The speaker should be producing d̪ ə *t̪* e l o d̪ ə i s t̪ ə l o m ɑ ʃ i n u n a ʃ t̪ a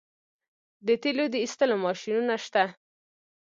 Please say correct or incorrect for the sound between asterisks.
correct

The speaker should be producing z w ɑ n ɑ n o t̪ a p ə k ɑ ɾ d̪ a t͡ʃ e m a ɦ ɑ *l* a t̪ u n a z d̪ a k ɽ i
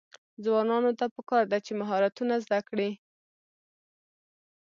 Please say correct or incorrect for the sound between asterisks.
incorrect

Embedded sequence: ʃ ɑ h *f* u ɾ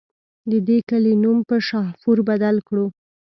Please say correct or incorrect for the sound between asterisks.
correct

